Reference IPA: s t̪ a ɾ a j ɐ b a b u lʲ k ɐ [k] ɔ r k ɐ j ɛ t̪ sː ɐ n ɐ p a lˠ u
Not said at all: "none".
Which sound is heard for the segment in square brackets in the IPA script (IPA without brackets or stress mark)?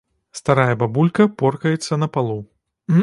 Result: p